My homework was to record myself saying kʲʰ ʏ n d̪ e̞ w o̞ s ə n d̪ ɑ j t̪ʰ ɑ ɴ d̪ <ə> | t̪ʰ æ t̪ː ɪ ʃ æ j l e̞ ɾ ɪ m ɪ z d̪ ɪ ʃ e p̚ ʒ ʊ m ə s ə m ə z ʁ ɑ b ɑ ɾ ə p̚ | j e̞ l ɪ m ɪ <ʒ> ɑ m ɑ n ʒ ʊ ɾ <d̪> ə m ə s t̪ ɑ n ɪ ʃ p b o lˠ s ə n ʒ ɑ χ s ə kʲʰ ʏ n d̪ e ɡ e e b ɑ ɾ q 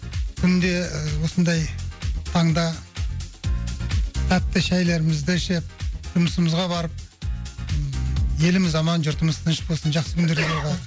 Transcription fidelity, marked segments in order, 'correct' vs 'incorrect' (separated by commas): incorrect, incorrect, incorrect